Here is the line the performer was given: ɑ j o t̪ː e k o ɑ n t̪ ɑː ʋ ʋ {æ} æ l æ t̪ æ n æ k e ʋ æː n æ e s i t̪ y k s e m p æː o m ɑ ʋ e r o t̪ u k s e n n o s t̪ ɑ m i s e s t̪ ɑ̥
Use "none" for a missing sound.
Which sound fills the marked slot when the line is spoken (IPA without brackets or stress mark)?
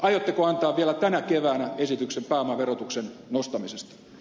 i